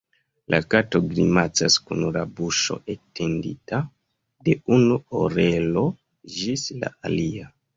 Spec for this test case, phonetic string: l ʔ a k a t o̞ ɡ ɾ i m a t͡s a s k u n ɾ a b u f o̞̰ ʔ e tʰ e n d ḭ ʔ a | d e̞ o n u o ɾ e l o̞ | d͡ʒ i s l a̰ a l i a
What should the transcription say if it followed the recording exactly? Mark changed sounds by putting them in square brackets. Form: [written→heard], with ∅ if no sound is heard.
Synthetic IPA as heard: l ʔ a k a t o̞ ɡ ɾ i m a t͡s a s k u n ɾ a b u [f→ʃ] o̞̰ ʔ e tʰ e n d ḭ [ʔ→t] a | d e̞ [o→u] n u o ɾ e l o̞ | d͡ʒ i s l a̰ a l i a